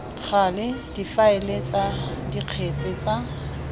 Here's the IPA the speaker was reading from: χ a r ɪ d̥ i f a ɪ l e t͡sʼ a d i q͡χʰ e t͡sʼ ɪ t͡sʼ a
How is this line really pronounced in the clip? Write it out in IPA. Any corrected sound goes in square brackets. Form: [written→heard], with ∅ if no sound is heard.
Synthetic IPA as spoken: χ a [r→l] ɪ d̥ i f a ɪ l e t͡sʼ a d i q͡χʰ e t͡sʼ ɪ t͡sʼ a